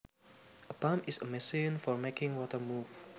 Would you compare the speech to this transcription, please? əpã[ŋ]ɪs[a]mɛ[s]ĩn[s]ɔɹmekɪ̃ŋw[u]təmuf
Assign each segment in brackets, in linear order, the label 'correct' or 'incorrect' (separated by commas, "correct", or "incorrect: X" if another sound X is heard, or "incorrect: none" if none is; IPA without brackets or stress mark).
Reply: incorrect: m, incorrect: ə, correct, incorrect: f, incorrect: ɔ